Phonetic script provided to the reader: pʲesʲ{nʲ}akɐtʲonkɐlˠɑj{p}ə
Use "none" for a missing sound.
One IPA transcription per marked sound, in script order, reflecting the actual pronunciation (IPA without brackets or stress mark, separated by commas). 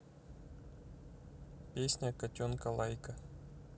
nʲ, k